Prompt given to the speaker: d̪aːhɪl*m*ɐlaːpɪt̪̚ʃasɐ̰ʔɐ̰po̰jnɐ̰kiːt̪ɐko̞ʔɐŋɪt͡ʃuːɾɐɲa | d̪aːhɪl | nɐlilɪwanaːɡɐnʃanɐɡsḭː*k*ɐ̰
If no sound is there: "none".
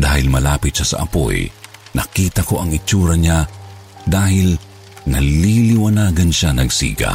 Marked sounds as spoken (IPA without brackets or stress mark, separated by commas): m, ɡ